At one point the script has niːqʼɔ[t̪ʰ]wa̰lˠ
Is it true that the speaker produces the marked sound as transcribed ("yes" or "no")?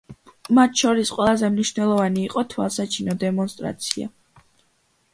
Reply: yes